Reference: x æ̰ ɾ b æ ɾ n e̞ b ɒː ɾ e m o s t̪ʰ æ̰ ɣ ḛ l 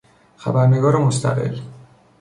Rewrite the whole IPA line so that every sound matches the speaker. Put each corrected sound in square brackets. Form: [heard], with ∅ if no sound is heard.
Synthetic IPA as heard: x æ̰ [∅] b æ ɾ n e̞ [ɡ] ɒː ɾ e m o s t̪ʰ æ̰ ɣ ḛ l